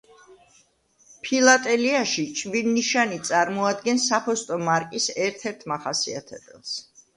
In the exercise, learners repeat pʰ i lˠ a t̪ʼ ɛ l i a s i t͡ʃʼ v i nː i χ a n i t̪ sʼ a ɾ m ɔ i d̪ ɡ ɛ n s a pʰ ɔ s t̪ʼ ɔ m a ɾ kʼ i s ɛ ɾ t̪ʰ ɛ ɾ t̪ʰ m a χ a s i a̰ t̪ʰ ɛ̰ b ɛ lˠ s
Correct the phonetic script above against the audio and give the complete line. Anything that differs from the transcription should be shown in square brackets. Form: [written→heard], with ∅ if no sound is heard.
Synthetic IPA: pʰ i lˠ a t̪ʼ ɛ l i a [s→ʃ] i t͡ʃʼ v i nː i [χ→ʃ] a n i t̪ sʼ a ɾ m ɔ [i→a] d̪ ɡ ɛ n s a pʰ ɔ s t̪ʼ ɔ m a ɾ kʼ i s ɛ ɾ t̪ʰ ɛ ɾ t̪ʰ m a χ a s i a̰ t̪ʰ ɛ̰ b ɛ lˠ s

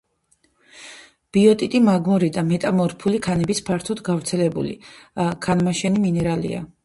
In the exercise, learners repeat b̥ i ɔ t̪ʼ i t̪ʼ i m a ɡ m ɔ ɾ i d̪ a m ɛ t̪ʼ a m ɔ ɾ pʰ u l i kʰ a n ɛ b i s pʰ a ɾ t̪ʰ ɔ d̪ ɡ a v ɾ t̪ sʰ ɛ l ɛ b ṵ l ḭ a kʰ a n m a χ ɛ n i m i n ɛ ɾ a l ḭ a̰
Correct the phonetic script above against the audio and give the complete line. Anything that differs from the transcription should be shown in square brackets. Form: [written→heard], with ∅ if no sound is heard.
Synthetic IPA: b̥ i ɔ t̪ʼ i t̪ʼ i m a ɡ m ɔ ɾ i d̪ a m ɛ t̪ʼ a m ɔ ɾ pʰ u l i kʰ a n ɛ b i s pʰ a ɾ t̪ʰ ɔ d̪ ɡ a v ɾ t̪ sʰ ɛ l ɛ b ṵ l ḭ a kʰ a n m a [χ→ʃ] ɛ n i m i n ɛ ɾ a l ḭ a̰

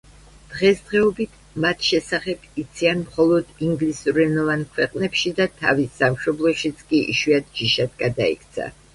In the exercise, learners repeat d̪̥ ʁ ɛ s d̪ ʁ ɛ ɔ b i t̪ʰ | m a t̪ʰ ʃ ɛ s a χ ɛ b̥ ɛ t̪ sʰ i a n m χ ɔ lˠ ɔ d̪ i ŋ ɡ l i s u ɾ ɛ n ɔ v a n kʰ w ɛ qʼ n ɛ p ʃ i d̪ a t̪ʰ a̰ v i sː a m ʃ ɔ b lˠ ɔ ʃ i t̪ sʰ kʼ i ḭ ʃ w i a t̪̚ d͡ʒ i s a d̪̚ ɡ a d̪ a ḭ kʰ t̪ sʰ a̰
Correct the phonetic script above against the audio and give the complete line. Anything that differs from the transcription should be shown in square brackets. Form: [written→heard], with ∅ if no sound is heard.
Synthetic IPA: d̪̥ ʁ ɛ s d̪ ʁ ɛ ɔ b i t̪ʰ | m a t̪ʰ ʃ ɛ s a χ ɛ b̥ [ɛ→i] t̪ sʰ i a n m χ ɔ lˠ ɔ d̪ i ŋ ɡ l i s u ɾ ɛ n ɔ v a n kʰ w ɛ qʼ n ɛ p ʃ i d̪ a t̪ʰ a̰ v i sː a m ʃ ɔ b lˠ ɔ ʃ i t̪ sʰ kʼ i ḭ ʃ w i a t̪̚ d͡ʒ i [s→ʃ] a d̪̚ ɡ a d̪ a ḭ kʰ t̪ sʰ a̰

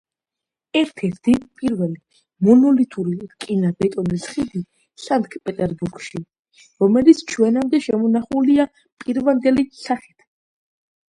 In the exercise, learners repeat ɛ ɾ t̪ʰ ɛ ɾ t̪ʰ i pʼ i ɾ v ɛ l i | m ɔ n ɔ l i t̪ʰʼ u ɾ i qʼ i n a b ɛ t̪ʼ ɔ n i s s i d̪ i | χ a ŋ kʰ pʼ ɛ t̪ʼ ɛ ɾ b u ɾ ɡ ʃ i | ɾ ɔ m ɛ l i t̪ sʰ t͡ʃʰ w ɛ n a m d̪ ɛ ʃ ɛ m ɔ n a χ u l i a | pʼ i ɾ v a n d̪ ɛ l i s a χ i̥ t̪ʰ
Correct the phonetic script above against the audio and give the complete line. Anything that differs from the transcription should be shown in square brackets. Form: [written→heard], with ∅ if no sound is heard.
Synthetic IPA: ɛ ɾ t̪ʰ ɛ ɾ t̪ʰ i pʼ i ɾ v ɛ l i | m ɔ n ɔ l i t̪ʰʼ u ɾ i [qʼ→kʼ] i n a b ɛ t̪ʼ ɔ n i s [s→χ] i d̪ i | [χ→s] a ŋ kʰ pʼ ɛ t̪ʼ ɛ ɾ b u ɾ ɡ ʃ i | ɾ ɔ m ɛ l i t̪ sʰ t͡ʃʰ w ɛ n a m d̪ ɛ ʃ ɛ m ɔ n a χ u l i a | pʼ i ɾ v a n d̪ ɛ l i s a χ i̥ t̪ʰ

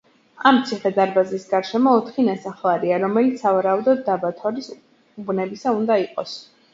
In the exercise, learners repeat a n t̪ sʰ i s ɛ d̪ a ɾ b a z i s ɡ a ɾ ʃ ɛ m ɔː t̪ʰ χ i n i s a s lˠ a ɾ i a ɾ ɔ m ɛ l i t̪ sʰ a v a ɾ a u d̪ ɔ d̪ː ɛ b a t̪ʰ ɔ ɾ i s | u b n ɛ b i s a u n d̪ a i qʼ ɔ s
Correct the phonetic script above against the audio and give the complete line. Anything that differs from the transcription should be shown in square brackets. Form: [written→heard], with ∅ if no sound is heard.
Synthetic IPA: a [n→m] t̪ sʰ i [s→χ] ɛ d̪ a ɾ b a z i s ɡ a ɾ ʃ ɛ m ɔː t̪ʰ χ i n [i→a] s a [s→χ] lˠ a ɾ i a ɾ ɔ m ɛ l i t̪ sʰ a v a ɾ a u d̪ ɔ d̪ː [ɛ→a] b a t̪ʰ ɔ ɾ i s | u b n ɛ b i s a u n d̪ a i qʼ ɔ s

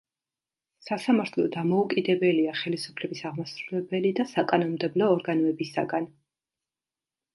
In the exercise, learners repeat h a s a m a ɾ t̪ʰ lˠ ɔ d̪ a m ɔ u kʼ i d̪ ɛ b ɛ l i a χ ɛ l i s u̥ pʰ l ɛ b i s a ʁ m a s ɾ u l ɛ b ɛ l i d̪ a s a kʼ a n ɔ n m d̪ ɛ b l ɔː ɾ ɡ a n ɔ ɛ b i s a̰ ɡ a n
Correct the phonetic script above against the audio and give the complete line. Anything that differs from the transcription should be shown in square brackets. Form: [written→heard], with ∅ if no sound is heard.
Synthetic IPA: [h→s] a s a m a ɾ t̪ʰ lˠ ɔ d̪ a m ɔ u kʼ i d̪ ɛ b ɛ l i a χ ɛ l i s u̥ pʰ l ɛ b i s a ʁ m a s ɾ u l ɛ b ɛ l i d̪ a s a kʼ a n ɔ n m d̪ ɛ b l ɔː ɾ ɡ a n ɔ ɛ b i s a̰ ɡ a n

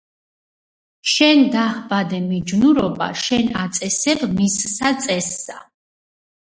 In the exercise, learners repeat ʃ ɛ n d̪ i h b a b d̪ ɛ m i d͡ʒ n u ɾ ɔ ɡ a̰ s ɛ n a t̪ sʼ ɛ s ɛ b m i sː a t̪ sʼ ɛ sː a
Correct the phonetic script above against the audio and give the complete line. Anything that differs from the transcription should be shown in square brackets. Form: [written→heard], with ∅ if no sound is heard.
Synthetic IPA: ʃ ɛ n d̪ [i→a] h b a [b→∅] d̪ ɛ m i d͡ʒ n u ɾ ɔ [ɡ→b] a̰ [s→ʃ] ɛ n a t̪ sʼ ɛ s ɛ b m i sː a t̪ sʼ ɛ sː a

